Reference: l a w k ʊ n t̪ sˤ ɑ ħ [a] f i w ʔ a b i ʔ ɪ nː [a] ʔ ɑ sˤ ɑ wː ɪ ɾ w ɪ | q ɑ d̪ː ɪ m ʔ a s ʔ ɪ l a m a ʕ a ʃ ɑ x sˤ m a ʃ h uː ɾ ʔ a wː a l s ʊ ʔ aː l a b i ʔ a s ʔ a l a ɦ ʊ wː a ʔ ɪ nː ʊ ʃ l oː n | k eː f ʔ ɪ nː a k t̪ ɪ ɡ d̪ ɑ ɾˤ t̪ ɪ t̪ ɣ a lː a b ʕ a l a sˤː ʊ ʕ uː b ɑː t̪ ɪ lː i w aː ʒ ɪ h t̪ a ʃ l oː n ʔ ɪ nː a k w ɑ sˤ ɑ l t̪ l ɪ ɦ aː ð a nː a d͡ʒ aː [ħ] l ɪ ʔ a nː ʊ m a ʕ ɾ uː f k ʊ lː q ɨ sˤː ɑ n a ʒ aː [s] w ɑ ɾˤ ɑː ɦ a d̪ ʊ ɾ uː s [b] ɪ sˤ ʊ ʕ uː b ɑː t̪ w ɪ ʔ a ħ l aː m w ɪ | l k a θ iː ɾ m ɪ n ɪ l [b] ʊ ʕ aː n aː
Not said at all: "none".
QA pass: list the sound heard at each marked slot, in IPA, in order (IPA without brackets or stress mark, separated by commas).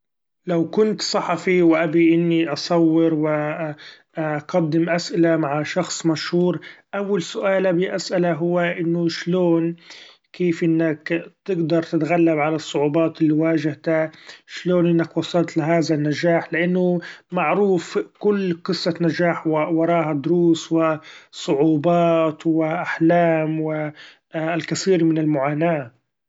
ɑ, i, ħ, ħ, w, m